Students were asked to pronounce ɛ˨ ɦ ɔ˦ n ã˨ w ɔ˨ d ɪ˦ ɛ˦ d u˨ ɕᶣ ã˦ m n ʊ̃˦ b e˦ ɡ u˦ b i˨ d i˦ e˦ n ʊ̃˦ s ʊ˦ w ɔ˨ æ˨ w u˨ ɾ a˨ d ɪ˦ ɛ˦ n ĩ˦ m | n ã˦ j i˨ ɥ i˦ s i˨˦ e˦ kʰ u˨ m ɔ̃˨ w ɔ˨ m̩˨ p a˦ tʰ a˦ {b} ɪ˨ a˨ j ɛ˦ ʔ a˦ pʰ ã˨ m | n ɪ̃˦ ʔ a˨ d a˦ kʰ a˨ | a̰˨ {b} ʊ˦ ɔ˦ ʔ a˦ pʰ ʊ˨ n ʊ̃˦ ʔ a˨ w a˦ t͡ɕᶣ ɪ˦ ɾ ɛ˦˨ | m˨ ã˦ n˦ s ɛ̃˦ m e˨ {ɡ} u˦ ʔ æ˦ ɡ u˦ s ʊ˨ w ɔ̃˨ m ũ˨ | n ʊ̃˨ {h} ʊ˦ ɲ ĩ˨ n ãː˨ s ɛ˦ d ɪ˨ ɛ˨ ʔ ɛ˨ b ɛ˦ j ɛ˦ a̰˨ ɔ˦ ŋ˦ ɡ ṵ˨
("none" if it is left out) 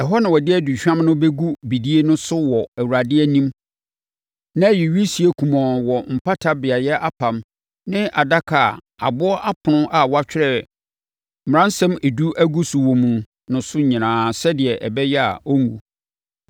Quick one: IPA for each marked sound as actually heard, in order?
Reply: b, b, d, s

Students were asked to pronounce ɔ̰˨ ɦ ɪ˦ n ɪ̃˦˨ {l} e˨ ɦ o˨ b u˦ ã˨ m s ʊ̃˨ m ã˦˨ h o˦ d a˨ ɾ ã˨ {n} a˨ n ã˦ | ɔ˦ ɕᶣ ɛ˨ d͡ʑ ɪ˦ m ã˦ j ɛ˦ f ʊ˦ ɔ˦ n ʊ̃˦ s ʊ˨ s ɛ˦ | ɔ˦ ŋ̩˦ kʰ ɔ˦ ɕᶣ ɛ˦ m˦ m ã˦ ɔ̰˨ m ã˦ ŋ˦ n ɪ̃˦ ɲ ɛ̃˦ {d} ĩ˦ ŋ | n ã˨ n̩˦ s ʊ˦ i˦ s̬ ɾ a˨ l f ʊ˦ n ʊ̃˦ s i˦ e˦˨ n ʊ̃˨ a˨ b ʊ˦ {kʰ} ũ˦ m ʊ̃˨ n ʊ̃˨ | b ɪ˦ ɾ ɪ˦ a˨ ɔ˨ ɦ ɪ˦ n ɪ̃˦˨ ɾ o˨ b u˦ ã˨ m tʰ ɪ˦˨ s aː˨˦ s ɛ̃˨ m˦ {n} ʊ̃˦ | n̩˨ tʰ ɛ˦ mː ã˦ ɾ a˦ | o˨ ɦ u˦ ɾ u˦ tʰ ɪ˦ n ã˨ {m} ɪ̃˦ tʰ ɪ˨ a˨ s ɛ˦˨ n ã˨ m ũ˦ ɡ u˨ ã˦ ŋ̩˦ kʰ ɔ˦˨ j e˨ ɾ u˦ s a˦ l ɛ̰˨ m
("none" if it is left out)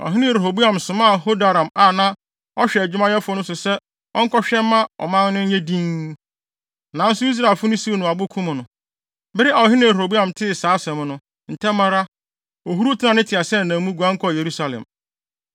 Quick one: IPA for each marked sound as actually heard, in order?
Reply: ɾ, m, d, kʰ, n, n

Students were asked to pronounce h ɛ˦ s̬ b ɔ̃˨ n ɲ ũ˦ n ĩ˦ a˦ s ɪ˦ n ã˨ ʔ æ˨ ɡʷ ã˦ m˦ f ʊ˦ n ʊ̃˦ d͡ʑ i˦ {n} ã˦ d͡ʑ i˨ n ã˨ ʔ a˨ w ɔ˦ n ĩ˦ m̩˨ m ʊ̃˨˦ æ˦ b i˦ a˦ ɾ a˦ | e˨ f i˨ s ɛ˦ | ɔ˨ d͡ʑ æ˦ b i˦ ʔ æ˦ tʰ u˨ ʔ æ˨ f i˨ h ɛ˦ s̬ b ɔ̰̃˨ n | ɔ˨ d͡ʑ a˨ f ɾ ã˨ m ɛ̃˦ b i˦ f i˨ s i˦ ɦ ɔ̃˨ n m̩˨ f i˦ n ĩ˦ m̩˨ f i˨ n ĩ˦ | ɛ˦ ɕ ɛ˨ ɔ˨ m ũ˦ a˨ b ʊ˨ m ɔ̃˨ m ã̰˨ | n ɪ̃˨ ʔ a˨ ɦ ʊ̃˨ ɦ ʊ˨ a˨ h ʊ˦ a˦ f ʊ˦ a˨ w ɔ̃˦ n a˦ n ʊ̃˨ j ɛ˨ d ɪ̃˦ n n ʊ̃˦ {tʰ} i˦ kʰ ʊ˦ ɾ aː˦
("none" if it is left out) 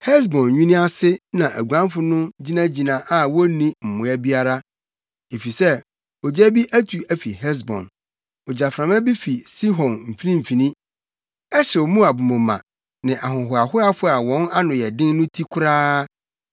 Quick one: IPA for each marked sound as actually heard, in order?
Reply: n, tʰ

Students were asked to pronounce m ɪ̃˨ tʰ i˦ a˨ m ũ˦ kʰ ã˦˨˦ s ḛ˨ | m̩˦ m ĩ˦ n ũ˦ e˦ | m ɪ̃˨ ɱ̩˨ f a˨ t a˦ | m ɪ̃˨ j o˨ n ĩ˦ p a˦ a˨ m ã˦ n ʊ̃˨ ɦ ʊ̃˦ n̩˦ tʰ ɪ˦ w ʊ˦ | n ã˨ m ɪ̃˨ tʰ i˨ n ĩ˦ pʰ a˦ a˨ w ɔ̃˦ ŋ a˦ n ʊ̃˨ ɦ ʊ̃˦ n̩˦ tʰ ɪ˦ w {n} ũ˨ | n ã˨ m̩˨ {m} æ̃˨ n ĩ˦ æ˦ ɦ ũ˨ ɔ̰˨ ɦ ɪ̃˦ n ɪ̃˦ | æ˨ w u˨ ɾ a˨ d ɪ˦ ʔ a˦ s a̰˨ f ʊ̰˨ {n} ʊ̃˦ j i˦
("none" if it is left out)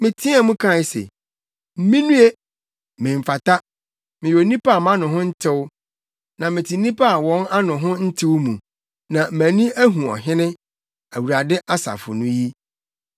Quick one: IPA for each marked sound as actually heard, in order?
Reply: m, m, n

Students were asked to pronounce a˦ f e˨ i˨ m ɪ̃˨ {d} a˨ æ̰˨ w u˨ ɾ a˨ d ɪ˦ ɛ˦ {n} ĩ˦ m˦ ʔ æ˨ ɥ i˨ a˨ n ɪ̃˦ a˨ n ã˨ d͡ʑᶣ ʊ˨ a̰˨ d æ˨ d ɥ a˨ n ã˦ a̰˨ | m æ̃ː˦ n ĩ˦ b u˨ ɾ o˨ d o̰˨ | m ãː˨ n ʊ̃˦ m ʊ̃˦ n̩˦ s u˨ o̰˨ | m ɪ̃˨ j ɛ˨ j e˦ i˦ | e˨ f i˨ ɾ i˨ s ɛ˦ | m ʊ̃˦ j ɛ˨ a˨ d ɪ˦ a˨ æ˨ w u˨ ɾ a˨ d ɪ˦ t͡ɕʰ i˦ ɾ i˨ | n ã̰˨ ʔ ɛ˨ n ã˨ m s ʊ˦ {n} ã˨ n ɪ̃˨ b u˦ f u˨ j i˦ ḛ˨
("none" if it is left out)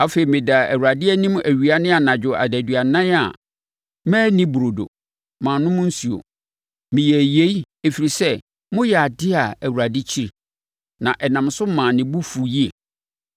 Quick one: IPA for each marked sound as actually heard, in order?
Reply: d, n, m

